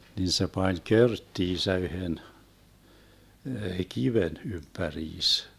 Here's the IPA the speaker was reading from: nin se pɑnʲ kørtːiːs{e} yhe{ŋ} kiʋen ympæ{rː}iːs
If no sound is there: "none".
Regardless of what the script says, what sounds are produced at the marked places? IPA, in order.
æ, n, r

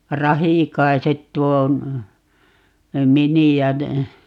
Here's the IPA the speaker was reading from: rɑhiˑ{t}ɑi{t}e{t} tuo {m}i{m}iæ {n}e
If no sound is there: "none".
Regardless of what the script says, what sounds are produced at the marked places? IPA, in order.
k, s, t, m, n, n

